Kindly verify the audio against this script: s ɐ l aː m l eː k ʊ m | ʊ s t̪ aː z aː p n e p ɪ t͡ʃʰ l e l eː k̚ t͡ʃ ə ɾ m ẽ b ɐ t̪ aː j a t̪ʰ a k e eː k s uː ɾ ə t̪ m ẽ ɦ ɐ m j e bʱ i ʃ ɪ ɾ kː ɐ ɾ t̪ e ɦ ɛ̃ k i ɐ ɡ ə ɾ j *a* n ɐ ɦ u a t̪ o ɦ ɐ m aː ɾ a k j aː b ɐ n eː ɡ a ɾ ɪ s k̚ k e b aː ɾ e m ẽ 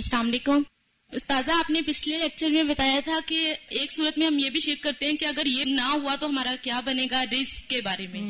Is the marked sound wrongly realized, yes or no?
yes